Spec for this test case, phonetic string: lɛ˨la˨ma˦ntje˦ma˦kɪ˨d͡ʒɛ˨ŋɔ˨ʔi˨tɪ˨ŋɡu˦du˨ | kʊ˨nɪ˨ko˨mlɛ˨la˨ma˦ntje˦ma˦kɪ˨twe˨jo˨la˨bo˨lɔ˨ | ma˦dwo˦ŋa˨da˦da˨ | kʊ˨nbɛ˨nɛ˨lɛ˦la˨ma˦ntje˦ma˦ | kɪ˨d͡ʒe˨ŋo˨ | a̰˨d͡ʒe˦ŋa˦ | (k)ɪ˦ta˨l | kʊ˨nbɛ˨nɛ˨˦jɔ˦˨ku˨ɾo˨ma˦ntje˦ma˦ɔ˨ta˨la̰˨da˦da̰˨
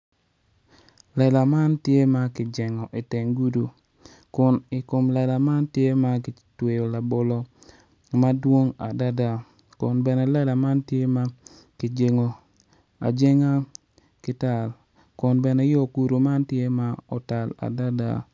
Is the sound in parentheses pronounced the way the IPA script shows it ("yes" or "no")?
yes